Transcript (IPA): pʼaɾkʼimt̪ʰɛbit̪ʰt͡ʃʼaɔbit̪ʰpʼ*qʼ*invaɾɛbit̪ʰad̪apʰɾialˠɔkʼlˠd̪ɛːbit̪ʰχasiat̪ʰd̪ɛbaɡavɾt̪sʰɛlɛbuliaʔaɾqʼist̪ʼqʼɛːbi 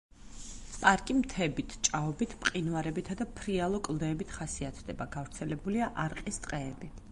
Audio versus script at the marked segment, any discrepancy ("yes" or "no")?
no